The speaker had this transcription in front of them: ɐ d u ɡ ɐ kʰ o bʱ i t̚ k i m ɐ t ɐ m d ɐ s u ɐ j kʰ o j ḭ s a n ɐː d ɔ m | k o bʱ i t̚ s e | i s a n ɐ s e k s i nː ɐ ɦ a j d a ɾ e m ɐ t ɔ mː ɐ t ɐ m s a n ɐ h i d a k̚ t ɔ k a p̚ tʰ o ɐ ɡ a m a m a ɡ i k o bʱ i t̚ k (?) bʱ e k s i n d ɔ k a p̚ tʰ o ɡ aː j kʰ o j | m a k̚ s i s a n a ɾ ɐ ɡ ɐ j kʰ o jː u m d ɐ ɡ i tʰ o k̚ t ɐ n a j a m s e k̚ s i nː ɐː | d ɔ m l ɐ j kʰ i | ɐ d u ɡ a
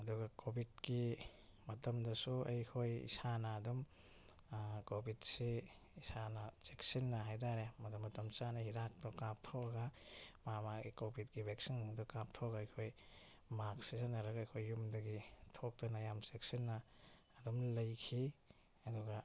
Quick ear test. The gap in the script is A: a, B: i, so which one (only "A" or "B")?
B